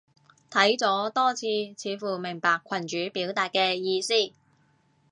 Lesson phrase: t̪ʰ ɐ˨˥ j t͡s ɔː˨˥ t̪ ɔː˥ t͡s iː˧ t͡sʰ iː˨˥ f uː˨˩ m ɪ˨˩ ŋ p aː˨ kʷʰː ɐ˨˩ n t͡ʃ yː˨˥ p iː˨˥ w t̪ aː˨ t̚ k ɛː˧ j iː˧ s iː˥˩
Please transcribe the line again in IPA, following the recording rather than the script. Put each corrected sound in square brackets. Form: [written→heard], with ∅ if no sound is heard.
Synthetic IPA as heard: t̪ʰ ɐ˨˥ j t͡s ɔː˨˥ t̪ ɔː˥ [t͡s→t͡sʰ] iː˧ t͡sʰ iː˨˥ f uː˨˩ m ɪ˨˩ ŋ p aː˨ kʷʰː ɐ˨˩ n t͡ʃ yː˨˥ p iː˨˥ w t̪ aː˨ t̚ k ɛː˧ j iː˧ s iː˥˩